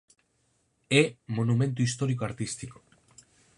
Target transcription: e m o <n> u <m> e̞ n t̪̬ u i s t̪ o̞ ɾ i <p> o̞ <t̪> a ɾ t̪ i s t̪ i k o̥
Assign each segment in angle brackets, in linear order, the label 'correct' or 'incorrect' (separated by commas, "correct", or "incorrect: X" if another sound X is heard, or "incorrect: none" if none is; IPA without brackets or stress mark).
correct, correct, incorrect: k, incorrect: none